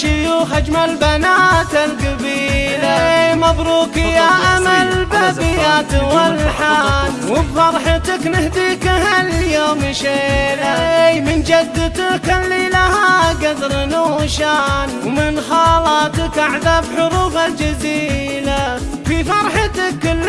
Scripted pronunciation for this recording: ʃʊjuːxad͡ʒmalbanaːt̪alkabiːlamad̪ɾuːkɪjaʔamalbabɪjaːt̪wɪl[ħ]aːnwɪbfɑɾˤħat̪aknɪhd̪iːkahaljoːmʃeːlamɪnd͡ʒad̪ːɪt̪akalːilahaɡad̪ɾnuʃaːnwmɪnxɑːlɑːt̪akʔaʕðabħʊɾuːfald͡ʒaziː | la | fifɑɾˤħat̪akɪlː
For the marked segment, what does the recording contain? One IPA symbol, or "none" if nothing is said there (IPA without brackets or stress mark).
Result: ħ